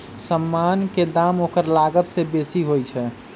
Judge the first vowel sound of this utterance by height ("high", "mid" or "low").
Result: mid